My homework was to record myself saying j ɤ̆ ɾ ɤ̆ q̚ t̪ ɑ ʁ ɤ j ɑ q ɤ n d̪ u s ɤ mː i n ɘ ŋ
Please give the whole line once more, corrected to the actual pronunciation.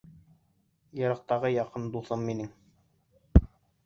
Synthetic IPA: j ɤ̆ ɾ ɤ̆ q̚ t̪ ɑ ʁ ɤ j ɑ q ɤ n d̪ u θ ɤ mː i n ɘ ŋ